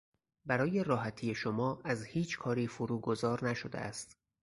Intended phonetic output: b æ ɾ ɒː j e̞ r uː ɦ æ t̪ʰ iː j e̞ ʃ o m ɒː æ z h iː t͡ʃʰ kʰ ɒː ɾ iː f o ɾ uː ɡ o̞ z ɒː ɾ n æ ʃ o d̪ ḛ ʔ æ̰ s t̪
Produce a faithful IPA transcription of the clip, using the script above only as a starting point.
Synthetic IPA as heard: b æ ɾ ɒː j e̞ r ɒː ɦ æ t̪ʰ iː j e̞ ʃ o m ɒː æ z h iː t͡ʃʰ kʰ ɒː ɾ iː f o ɾ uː ɡ o̞ z ɒː ɾ n æ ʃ o d̪ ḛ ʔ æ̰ s t̪